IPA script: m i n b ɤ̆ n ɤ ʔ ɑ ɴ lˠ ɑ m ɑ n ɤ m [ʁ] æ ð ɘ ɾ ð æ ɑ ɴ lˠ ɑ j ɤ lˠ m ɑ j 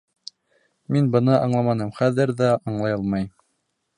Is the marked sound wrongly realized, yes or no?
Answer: yes